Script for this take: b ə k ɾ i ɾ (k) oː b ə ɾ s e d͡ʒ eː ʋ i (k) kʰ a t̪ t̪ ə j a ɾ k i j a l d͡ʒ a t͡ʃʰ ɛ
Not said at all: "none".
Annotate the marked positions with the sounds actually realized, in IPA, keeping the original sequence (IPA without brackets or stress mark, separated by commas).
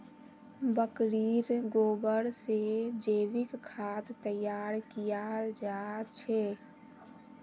ɡ, k